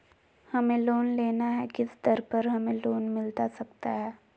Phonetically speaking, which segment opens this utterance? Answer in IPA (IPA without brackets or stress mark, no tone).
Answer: h